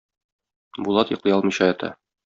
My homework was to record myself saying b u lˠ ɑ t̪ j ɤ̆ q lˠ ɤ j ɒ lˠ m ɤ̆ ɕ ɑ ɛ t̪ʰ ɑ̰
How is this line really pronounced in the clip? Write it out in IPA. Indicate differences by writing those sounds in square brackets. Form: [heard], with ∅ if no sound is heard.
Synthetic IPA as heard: b u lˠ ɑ t̪ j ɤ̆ q lˠ ɤ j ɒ lˠ m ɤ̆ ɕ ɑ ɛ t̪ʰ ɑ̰

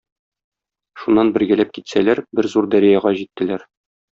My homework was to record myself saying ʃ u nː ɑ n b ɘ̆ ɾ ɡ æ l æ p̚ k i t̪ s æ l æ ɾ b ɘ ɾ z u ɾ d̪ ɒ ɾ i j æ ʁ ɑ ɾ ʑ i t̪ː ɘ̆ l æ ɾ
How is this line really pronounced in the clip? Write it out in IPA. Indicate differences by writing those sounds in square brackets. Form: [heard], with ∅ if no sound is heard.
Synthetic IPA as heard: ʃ u nː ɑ n b ɘ̆ ɾ ɡ æ l æ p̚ k i t̪ s æ l æ ɾ b ɘ ɾ z u ɾ d̪ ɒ ɾ i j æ ʁ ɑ [∅] ʑ i t̪ː ɘ̆ l æ ɾ

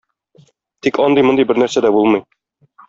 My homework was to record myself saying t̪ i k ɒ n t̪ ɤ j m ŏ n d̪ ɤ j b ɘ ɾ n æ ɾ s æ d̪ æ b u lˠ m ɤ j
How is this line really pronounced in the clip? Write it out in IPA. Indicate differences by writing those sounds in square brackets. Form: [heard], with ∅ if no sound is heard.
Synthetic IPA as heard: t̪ i k ɒ n [d̪] ɤ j m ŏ n d̪ ɤ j b ɘ ɾ n æ ɾ s æ d̪ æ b u lˠ m ɤ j

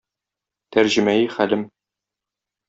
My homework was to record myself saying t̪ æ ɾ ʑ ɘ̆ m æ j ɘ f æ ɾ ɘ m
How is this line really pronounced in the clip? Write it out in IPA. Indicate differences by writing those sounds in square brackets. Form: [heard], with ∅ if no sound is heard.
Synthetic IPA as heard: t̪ æ ɾ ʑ ɘ̆ m æ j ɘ [χ] æ [l] ɘ m

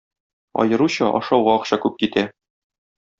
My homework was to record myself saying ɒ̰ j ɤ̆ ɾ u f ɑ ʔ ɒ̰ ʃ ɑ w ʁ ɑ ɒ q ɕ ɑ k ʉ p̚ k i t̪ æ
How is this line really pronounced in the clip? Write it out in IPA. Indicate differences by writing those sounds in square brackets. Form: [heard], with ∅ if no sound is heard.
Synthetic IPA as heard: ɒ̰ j ɤ̆ ɾ u [ɕ] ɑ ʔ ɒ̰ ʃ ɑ w ʁ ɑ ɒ q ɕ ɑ k ʉ p̚ k i t̪ æ

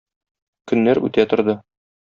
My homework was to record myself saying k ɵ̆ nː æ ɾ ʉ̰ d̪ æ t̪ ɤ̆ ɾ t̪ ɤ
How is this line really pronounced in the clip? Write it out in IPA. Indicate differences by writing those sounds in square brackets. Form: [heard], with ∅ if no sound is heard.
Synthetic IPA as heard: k ɵ̆ nː æ ɾ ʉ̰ [t̪] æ t̪ [ŏ] ɾ [d̪] ɤ

